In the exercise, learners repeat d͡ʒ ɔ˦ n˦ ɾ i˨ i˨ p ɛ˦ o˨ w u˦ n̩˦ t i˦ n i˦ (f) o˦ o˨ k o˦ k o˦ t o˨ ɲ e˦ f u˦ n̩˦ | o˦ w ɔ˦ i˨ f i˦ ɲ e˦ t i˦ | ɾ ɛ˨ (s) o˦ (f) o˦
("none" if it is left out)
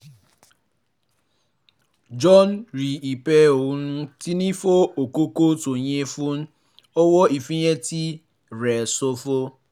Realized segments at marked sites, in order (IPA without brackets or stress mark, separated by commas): f, s, f